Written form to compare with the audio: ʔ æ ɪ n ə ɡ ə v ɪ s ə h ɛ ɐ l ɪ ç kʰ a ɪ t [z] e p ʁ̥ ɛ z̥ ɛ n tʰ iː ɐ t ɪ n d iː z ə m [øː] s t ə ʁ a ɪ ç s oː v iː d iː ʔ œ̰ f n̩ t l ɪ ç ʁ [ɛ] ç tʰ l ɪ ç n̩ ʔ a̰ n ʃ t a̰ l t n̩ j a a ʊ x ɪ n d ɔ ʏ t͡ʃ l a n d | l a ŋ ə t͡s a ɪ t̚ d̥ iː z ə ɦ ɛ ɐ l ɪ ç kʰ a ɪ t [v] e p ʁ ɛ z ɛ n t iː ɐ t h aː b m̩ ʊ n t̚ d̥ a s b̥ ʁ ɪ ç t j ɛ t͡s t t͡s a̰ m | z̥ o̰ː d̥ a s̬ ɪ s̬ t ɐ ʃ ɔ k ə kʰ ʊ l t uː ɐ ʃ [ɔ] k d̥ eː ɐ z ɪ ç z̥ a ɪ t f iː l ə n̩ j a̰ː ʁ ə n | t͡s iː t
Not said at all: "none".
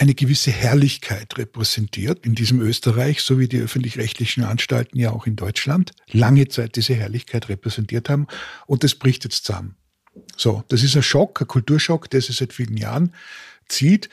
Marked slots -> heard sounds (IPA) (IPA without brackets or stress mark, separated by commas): ʁ, øː, ɛ, ʁ, ɔ